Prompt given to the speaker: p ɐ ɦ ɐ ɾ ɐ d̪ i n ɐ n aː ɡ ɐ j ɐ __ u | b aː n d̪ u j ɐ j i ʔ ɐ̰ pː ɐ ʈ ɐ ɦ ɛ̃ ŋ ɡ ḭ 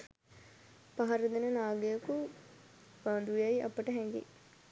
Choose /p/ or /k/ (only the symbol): k